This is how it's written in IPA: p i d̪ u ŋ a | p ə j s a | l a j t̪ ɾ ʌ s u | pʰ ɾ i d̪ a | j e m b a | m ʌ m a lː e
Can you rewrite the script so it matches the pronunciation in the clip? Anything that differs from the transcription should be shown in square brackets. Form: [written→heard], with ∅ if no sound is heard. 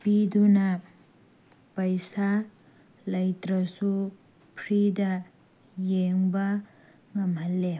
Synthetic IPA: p i d̪ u [ŋ→n] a | p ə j s a | l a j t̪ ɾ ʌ s u | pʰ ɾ i d̪ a | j e [m→ŋ] b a | [m→ŋ] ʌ m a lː e